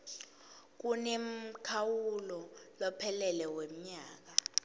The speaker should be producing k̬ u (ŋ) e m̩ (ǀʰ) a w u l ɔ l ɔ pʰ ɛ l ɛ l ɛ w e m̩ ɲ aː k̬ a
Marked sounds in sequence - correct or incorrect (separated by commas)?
incorrect, incorrect